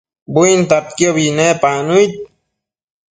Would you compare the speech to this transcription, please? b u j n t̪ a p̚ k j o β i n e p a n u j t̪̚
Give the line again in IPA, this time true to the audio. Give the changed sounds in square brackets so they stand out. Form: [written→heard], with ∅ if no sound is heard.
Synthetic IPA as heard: b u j n t̪ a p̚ k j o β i n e p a n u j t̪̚